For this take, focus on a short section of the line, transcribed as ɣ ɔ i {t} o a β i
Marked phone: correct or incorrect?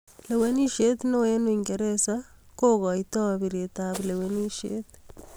correct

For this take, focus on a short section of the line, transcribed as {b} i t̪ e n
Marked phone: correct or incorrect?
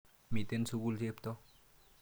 incorrect: m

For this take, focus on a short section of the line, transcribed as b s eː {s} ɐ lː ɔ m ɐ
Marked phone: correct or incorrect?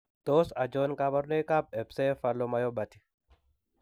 incorrect: f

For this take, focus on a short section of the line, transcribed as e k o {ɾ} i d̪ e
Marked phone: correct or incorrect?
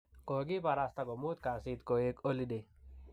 incorrect: l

